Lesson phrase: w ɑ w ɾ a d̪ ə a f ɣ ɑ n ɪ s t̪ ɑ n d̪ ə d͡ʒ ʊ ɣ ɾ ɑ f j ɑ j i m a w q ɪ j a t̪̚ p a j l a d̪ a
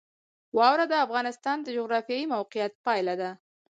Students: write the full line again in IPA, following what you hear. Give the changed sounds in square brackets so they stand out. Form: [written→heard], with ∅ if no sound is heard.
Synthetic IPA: w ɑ w ɾ a d̪ ə a f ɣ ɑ n ɪ s t̪ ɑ n d̪ ə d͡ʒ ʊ ɣ ɾ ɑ f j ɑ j i m a w q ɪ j a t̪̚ p [a→ɑ] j l a d̪ a